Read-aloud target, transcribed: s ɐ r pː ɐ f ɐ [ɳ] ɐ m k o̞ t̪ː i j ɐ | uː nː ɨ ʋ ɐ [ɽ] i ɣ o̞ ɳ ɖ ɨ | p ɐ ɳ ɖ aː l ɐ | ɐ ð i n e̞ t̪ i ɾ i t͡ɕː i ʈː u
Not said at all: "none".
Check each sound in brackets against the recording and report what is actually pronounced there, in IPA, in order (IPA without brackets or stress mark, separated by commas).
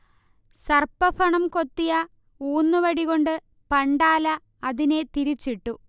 ɳ, ɽ